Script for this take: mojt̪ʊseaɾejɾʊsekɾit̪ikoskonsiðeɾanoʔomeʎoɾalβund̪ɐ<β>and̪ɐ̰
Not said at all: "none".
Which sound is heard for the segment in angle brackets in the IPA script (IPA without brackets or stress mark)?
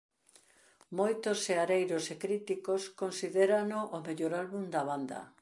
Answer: β